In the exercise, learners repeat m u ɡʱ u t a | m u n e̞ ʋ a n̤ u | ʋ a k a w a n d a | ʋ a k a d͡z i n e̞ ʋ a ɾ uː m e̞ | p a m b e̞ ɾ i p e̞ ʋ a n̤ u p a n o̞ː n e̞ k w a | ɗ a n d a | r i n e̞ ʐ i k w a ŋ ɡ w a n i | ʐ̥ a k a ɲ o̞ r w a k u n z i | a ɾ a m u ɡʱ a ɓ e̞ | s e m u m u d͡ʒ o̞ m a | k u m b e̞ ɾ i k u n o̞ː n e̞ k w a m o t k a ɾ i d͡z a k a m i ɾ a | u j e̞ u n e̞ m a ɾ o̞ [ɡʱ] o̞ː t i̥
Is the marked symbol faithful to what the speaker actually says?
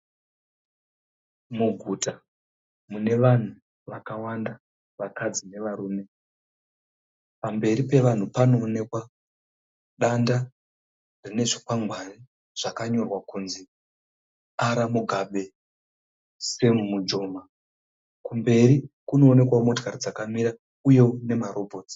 no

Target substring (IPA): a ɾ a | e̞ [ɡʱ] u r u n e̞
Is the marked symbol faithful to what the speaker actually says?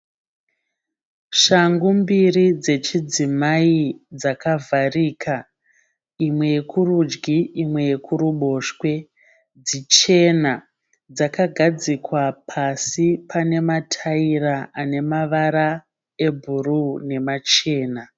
no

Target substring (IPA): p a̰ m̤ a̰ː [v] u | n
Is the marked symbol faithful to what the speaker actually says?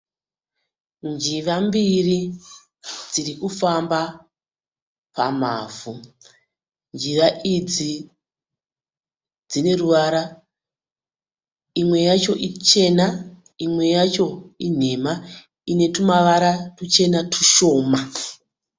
yes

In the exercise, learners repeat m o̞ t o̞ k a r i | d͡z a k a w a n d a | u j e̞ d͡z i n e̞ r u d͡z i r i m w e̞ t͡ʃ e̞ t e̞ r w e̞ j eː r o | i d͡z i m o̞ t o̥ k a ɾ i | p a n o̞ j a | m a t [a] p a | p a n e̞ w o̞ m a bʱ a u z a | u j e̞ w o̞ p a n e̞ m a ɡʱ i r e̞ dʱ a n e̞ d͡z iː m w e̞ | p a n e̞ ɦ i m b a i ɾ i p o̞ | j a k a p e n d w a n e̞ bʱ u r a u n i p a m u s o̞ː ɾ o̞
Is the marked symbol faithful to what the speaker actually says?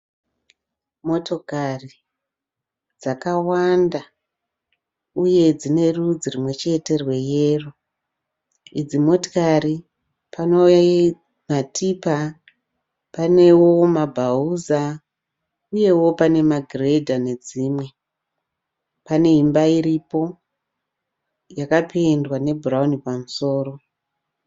no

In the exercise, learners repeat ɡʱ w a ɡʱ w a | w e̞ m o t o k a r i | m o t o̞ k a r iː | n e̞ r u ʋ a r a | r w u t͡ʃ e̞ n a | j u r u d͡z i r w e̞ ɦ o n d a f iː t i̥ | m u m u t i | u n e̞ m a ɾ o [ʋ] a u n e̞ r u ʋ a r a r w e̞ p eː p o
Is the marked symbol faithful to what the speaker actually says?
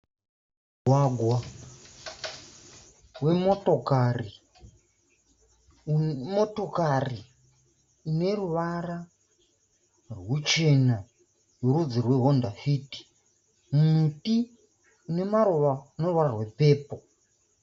yes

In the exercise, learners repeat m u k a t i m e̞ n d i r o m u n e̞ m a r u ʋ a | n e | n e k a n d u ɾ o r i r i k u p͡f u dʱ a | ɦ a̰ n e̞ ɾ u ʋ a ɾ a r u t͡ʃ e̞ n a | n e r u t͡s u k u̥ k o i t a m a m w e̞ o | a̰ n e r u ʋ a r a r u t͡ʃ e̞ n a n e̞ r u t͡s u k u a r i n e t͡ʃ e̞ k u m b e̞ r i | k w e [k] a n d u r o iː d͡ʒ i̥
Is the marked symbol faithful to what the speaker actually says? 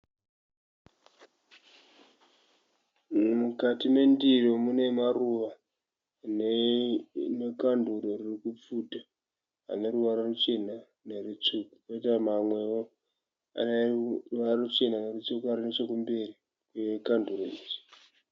yes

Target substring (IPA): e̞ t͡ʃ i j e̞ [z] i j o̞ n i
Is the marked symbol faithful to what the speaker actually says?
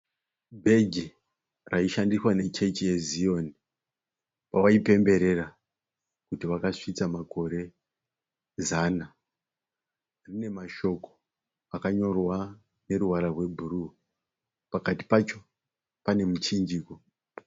yes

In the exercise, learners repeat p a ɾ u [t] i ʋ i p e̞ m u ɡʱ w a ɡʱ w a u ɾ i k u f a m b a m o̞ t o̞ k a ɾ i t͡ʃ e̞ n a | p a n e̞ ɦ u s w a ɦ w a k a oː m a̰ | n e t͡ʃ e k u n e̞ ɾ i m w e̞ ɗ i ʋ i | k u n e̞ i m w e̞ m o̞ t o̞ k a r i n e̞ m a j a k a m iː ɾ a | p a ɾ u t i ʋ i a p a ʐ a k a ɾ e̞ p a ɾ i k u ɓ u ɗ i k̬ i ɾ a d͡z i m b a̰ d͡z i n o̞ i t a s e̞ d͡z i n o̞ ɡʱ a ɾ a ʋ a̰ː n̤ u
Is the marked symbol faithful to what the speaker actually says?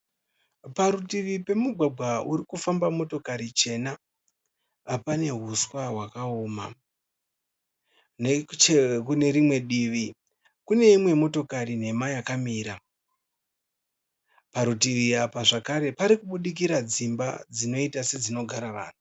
yes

